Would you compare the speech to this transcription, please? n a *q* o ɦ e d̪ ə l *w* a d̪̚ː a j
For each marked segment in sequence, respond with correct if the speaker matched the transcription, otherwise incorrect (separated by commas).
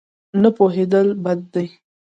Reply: incorrect, incorrect